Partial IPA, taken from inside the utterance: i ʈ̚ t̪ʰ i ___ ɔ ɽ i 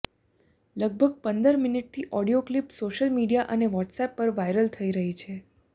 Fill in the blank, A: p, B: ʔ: B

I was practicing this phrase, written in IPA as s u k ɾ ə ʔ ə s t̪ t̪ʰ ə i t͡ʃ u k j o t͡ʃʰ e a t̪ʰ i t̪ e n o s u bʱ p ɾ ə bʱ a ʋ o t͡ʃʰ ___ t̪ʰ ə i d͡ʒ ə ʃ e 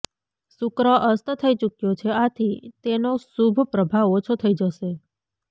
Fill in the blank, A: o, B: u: A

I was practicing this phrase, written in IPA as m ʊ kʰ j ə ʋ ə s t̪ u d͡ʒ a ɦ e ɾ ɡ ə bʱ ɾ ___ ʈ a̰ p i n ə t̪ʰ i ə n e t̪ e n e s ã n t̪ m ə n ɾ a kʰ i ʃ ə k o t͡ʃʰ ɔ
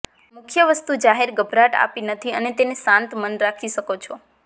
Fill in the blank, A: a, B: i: A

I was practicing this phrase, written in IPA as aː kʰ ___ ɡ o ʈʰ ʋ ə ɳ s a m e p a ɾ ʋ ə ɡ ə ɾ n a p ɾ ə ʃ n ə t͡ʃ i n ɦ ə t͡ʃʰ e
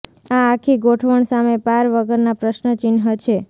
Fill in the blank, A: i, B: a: A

